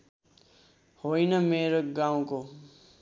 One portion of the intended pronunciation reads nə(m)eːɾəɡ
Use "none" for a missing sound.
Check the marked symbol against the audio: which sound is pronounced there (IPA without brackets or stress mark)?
m